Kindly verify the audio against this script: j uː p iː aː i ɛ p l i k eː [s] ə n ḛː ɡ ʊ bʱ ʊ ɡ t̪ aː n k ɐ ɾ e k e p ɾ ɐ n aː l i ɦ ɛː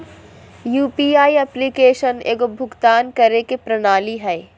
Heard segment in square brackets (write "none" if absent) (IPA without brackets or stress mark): ʃ